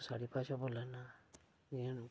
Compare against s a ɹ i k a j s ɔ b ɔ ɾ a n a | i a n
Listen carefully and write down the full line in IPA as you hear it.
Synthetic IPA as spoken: s a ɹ i p a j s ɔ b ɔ l a n a | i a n